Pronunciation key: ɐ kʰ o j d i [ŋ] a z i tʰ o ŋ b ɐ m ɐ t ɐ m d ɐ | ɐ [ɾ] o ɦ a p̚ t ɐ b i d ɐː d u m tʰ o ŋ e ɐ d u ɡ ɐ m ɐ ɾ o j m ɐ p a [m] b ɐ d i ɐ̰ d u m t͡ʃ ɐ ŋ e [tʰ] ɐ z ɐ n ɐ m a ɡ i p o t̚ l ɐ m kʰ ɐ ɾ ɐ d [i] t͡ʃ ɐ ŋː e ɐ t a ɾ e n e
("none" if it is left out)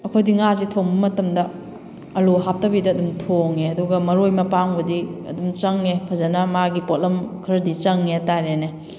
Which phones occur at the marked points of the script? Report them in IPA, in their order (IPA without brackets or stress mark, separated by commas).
ŋ, l, ŋ, pʰ, i